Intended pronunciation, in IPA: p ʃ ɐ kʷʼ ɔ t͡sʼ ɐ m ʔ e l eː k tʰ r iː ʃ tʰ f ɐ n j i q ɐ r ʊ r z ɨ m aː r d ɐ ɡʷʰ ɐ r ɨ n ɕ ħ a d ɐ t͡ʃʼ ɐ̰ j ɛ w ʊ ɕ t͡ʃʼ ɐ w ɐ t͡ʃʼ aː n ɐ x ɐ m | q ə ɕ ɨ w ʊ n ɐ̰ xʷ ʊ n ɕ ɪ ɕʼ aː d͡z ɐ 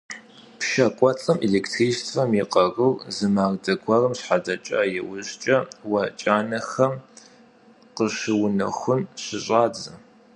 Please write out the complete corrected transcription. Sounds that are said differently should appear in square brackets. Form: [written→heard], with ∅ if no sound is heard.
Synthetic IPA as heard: p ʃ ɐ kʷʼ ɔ t͡sʼ ɐ m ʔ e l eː k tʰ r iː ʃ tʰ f ɐ [n→m] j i q ɐ r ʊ r z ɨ m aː r d ɐ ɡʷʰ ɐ r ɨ [n→m] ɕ ħ a d ɐ t͡ʃʼ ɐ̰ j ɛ w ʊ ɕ t͡ʃʼ ɐ w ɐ t͡ʃʼ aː n ɐ x ɐ m | q ə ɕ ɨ w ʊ n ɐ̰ xʷ ʊ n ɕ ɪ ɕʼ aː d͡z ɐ

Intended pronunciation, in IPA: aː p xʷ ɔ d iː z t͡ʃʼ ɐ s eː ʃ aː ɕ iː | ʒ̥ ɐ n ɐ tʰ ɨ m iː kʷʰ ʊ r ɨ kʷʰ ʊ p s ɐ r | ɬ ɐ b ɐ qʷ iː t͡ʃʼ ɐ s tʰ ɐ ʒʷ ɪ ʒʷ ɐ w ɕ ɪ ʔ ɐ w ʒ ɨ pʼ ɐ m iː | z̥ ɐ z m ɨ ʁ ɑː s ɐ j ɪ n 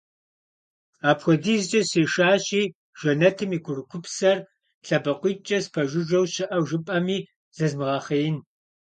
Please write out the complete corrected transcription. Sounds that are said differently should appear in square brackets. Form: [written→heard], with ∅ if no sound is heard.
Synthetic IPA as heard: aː p xʷ ɔ d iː z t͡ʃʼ ɐ s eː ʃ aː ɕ iː | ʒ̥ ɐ n ɐ tʰ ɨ m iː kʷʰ ʊ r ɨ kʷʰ ʊ p s ɐ r | ɬ ɐ b ɐ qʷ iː t͡ʃʼ ɐ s [tʰ→pʰ] ɐ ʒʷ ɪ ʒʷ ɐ w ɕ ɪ ʔ ɐ w ʒ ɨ pʼ ɐ m iː | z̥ ɐ z m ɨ ʁ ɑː [s→χ] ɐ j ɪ n

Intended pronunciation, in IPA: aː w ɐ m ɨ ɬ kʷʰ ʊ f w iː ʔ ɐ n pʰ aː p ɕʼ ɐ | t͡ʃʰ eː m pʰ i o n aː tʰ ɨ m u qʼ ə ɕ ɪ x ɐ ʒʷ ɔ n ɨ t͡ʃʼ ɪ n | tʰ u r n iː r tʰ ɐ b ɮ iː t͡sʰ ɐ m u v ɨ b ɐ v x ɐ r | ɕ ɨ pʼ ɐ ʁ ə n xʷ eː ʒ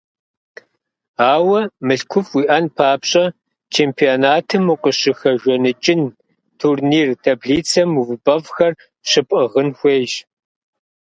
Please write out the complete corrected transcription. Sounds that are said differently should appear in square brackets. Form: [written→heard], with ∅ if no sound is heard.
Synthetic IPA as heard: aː w ɐ m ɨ ɬ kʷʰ ʊ f w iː ʔ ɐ n pʰ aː p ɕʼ ɐ | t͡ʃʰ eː m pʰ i o n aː tʰ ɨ m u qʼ ə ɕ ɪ x ɐ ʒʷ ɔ n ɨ t͡ʃʼ ɪ n | tʰ u r n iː r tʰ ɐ b ɮ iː t͡sʰ ɐ m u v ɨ b ɐ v x ɐ r | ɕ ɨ pʼ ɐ ʁ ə n xʷ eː ʒ

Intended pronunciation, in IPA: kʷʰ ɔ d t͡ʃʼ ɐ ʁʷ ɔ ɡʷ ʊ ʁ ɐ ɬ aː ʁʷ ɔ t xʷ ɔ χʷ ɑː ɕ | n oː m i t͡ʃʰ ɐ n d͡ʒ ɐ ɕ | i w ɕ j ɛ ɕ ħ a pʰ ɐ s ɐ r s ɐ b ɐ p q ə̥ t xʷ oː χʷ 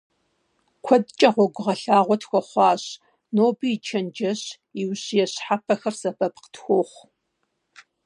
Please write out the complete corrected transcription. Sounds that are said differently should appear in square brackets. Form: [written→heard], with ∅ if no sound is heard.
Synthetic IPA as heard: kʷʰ ɔ d t͡ʃʼ ɐ ʁʷ ɔ ɡʷ ʊ ʁ ɐ ɬ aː ʁʷ ɔ t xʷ ɔ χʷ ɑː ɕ | n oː [m→b] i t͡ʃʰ ɐ n d͡ʒ ɐ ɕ | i w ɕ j ɛ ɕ ħ a pʰ ɐ [s→x] ɐ r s ɐ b ɐ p q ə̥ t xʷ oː χʷ

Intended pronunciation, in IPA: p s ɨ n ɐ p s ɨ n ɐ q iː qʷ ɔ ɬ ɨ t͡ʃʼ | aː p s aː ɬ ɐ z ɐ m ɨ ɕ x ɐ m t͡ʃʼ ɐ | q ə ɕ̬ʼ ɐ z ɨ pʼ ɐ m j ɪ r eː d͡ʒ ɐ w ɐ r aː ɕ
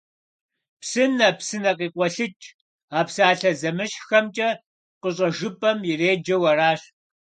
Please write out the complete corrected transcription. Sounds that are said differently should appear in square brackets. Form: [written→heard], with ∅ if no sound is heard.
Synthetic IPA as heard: p s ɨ n ɐ p s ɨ n ɐ q iː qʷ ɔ ɬ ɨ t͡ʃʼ | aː p s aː ɬ ɐ z ɐ m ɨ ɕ x ɐ m t͡ʃʼ ɐ | q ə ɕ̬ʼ ɐ [z→ʒ] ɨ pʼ ɐ m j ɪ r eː d͡ʒ ɐ w ɐ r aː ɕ

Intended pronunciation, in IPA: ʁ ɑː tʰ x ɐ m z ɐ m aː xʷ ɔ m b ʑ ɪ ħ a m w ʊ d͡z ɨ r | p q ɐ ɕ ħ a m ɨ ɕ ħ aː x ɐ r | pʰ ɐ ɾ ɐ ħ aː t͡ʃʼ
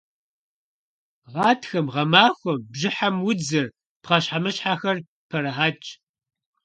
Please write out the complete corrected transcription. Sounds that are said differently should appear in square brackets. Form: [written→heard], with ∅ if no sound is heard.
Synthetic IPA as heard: ʁ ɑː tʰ x ɐ m [z→ʁ] ɐ m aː xʷ ɔ m b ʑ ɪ ħ a m w ʊ d͡z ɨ r | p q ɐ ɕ ħ a m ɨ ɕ ħ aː x ɐ r | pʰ ɐ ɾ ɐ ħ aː t͡ʃʼ

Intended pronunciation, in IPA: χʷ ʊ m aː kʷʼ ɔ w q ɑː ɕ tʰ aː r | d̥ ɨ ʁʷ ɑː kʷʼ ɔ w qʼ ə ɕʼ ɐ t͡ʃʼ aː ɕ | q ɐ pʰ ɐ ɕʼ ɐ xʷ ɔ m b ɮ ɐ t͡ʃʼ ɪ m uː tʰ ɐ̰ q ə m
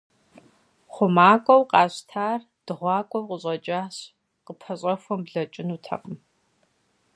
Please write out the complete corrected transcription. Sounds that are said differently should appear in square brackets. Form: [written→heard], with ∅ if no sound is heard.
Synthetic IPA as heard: χʷ ʊ m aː kʷʼ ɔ w q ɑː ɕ tʰ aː r | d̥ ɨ ʁʷ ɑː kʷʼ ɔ w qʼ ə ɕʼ ɐ t͡ʃʼ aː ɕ | q [ɐ→ə] pʰ ɐ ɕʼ ɐ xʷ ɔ m b ɮ ɐ t͡ʃʼ ɪ [m→n] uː tʰ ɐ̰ q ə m

